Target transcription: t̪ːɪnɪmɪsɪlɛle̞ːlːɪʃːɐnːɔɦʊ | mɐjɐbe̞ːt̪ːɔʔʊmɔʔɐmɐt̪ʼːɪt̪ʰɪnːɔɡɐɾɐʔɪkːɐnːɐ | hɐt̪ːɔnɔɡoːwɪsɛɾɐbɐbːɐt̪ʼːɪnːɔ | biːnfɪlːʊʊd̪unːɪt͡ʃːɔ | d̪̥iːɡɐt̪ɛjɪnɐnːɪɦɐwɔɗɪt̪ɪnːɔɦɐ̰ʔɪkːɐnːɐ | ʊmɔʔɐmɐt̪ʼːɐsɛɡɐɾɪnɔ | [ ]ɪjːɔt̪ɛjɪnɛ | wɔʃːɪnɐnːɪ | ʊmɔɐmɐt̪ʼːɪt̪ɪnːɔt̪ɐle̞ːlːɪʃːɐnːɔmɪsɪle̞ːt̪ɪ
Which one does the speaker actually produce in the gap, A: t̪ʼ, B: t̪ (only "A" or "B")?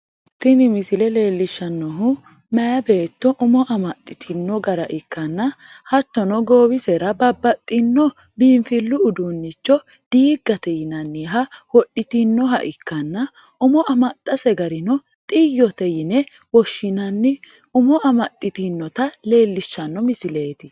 A